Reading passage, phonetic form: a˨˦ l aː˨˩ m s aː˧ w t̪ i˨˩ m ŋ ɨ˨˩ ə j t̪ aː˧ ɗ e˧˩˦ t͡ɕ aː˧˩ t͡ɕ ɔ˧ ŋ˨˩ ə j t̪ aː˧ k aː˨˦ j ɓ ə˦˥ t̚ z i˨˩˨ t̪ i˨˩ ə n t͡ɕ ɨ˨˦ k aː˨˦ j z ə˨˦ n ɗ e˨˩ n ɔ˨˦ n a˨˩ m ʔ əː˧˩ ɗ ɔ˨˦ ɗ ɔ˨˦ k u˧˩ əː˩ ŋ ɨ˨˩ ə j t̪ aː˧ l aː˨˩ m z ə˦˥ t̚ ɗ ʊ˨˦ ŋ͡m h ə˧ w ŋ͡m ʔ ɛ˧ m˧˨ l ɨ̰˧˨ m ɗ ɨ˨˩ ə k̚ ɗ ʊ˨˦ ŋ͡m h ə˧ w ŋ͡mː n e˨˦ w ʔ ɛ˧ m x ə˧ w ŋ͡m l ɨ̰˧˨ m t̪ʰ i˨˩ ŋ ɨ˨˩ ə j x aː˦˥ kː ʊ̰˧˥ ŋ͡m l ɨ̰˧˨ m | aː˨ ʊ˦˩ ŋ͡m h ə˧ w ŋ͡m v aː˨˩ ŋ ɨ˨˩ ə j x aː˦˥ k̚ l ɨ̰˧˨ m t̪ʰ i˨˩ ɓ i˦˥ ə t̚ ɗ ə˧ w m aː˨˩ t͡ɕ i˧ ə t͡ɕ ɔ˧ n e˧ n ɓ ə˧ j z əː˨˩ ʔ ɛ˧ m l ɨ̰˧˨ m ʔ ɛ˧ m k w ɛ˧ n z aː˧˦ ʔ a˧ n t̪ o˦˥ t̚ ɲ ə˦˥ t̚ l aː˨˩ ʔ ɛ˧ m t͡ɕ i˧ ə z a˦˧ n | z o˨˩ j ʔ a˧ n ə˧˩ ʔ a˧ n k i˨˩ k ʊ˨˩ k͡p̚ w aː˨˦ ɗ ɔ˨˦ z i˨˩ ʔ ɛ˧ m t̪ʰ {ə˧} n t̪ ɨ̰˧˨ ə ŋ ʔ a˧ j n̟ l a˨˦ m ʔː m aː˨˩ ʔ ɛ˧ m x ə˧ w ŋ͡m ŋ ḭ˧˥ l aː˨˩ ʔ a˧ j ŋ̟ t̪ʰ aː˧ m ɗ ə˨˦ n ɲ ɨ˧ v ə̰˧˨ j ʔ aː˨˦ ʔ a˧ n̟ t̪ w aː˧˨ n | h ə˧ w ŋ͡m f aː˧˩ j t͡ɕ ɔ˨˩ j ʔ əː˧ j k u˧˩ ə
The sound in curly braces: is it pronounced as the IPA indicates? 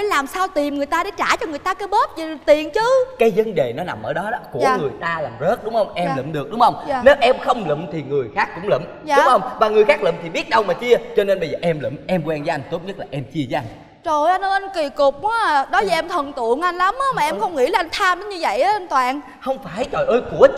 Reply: no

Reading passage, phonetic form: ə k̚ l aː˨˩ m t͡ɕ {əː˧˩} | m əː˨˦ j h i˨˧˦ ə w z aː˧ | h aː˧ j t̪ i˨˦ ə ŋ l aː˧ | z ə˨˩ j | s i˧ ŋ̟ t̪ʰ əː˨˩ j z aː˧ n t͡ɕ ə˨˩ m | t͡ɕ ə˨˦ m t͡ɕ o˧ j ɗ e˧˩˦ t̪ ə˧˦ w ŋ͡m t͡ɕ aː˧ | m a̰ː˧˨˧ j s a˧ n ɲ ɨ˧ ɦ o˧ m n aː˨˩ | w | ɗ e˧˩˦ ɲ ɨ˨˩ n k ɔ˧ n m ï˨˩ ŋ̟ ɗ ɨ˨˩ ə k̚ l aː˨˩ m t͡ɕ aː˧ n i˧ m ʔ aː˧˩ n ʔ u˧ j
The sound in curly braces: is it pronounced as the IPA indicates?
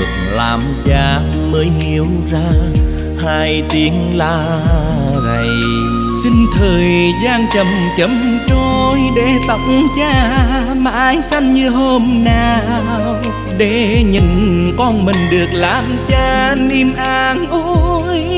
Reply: no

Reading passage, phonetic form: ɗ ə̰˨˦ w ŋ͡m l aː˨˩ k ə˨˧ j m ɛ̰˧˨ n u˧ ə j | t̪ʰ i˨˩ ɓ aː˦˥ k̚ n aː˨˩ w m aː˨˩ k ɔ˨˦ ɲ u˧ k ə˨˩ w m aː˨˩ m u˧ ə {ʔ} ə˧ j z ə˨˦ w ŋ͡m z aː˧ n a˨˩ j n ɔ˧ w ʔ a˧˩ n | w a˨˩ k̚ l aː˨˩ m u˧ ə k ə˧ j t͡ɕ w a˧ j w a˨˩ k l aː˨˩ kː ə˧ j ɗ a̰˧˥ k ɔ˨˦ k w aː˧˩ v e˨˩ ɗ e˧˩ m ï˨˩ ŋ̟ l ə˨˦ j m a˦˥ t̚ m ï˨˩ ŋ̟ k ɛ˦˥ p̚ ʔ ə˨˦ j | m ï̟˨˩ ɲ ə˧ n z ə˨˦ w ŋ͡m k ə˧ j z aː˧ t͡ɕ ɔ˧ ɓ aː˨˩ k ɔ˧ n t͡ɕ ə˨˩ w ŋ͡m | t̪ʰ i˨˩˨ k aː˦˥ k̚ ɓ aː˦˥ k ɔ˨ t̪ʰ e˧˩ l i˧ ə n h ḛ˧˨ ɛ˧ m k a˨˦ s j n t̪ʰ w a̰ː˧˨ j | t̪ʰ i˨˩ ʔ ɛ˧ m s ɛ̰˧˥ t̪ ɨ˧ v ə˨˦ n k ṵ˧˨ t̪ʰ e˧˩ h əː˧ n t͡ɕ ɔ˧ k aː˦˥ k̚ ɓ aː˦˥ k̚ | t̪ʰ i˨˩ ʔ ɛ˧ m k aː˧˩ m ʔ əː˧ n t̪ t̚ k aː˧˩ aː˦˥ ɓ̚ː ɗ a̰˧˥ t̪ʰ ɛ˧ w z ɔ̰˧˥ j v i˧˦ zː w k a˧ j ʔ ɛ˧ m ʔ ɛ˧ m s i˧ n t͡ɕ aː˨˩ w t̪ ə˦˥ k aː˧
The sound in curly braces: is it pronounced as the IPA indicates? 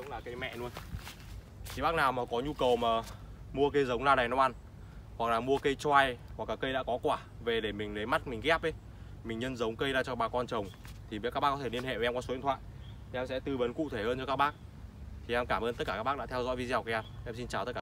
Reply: no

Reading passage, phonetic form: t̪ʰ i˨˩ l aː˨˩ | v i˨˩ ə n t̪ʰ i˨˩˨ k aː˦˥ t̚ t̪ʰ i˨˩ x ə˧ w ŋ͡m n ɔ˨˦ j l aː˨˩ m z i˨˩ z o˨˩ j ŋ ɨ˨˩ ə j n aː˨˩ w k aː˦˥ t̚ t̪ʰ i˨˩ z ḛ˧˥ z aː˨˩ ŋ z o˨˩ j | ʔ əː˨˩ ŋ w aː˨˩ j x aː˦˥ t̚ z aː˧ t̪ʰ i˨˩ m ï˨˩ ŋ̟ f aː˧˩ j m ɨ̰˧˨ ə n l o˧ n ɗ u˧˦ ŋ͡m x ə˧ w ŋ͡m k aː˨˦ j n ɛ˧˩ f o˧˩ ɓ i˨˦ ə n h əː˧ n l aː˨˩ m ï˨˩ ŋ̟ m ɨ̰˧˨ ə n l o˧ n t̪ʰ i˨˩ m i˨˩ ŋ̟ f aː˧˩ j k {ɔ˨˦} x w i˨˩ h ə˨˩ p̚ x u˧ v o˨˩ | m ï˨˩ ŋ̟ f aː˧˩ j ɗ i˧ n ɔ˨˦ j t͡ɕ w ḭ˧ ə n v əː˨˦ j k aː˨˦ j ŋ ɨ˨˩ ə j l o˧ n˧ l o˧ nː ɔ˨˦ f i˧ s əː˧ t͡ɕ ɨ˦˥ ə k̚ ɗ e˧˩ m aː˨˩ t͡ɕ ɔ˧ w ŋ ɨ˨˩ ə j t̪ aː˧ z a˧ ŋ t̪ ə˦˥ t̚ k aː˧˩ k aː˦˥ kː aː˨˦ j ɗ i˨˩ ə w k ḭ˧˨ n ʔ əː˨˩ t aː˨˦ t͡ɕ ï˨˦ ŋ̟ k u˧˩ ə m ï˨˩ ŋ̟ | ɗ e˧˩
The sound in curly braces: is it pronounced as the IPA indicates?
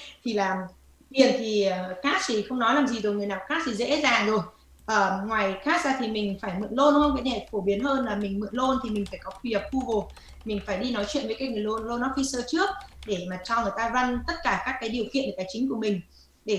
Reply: yes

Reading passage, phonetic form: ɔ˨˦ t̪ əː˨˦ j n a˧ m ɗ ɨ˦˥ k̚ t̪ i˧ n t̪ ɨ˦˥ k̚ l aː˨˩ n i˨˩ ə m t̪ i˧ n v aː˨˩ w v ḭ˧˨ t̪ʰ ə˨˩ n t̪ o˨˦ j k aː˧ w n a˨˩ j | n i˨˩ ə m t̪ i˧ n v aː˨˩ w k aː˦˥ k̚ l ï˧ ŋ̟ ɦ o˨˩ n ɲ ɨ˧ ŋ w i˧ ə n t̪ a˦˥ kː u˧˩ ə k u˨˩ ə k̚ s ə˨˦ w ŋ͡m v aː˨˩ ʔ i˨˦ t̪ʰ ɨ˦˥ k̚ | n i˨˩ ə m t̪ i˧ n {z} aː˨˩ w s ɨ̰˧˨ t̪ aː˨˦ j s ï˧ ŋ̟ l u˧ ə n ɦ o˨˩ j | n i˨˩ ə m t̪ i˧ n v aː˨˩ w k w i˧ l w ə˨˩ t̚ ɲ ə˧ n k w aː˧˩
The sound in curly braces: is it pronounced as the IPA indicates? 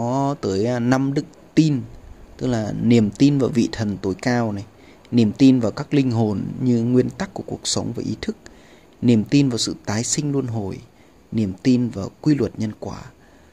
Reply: no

